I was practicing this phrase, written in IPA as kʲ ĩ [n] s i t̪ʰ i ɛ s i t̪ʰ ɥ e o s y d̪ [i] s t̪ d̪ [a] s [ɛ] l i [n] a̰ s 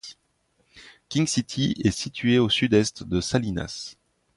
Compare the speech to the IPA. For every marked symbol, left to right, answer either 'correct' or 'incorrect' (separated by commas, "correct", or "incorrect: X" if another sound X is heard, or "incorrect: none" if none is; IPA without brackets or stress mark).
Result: incorrect: ŋ, incorrect: ɛ, incorrect: ə, incorrect: a, correct